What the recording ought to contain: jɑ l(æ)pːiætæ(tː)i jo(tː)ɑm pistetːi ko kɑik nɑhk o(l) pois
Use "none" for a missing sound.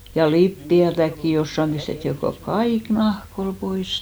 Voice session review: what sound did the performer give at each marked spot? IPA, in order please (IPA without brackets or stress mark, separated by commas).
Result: i, kː, sː, l